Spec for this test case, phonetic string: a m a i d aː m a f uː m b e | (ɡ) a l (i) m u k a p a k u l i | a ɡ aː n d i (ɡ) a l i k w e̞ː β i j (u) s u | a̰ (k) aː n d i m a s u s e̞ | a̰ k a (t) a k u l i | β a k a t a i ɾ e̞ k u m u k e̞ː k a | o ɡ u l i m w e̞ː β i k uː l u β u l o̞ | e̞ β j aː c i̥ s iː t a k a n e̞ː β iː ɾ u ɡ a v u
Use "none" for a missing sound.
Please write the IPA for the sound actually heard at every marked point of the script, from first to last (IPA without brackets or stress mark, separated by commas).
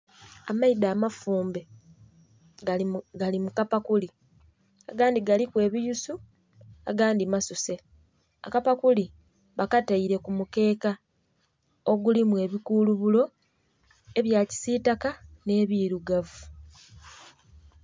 ɡ, i, ɡ, u, ɡ, p